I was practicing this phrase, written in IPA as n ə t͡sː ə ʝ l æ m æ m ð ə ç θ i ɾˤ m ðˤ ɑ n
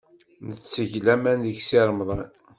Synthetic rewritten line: n ə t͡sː ə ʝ l æ m æ n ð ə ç s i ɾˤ m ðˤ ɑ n